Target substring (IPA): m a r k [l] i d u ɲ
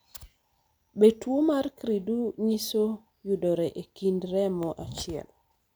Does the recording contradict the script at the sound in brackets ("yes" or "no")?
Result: yes